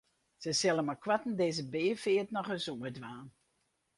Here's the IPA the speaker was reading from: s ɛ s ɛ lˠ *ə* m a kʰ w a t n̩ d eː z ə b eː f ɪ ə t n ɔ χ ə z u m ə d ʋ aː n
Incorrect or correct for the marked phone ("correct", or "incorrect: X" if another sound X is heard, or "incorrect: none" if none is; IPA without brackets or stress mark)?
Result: correct